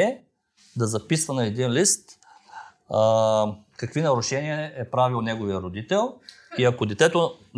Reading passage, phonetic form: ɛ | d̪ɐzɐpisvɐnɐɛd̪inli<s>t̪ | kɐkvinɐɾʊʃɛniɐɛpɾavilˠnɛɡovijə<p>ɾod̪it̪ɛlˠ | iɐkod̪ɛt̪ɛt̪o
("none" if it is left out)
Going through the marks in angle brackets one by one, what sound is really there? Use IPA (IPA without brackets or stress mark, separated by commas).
s, none